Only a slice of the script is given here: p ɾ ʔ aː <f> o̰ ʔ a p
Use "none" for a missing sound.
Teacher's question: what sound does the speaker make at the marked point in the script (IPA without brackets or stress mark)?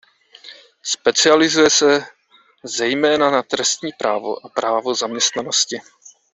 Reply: v